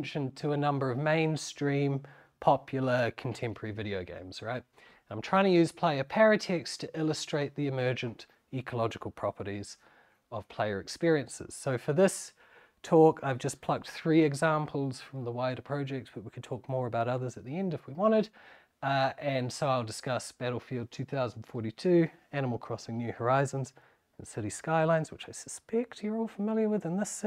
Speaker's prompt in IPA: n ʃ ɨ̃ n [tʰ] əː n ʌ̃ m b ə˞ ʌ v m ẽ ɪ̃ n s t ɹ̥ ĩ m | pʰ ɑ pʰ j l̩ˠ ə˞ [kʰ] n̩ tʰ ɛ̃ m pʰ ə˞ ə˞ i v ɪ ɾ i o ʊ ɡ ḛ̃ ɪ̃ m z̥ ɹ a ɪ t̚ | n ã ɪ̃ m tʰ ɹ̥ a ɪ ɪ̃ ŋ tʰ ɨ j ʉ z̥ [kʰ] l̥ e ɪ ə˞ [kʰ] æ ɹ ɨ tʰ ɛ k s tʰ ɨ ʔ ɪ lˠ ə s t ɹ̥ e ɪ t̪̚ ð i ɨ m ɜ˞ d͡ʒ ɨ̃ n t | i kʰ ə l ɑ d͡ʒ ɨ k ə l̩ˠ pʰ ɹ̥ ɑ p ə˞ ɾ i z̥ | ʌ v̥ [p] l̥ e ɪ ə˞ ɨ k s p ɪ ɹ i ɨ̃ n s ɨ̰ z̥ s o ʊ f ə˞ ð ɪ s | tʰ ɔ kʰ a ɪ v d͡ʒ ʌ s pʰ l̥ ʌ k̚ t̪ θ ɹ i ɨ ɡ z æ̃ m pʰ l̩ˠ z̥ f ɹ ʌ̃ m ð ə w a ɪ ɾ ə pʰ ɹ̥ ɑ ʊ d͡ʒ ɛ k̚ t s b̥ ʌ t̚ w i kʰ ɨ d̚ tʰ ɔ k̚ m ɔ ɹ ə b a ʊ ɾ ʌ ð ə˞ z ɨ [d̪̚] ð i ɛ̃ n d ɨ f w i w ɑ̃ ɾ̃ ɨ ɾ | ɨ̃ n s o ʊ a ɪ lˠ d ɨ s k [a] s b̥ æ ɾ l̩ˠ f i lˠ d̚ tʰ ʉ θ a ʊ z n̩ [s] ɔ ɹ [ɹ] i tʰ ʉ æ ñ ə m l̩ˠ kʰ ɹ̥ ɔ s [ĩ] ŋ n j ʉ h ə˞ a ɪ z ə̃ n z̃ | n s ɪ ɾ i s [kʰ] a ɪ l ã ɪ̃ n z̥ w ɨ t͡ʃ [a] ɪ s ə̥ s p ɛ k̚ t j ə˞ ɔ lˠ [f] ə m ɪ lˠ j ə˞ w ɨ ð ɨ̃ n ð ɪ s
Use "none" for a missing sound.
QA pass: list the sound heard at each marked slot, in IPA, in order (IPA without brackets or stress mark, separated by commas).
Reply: tʰ, kʰ, pʰ, pʰ, pʰ, t̪̚, ʌ, f, ɾ, ɪ̃, k, a, f